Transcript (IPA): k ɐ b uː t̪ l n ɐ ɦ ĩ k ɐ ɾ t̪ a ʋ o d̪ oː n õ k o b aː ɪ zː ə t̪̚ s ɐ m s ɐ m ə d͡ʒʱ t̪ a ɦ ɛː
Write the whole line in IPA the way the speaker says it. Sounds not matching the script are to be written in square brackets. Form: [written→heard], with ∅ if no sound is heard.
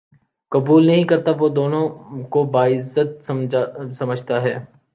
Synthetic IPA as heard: k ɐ b uː [t̪→∅] l n ɐ ɦ ĩ k ɐ ɾ t̪ a ʋ o d̪ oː n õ k o b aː ɪ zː ə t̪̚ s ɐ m s ɐ m ə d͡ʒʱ t̪ a ɦ ɛː